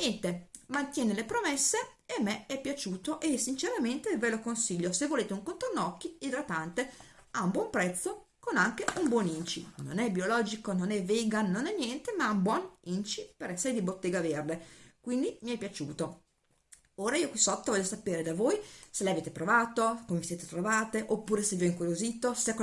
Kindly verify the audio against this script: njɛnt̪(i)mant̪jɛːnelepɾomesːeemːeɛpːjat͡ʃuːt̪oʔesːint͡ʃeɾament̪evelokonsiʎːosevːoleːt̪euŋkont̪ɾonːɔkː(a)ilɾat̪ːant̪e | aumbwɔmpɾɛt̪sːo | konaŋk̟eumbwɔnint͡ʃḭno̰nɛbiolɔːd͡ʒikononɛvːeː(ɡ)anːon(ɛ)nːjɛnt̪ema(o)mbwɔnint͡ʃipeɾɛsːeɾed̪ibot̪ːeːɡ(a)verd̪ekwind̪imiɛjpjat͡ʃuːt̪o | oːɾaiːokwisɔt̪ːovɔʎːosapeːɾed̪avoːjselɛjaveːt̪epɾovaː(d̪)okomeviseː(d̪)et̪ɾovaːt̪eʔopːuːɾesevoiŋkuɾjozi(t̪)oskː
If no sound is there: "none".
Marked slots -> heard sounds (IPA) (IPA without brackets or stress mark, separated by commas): e, i, ɡ, ɛ, u, a, t̪, t̪, t̪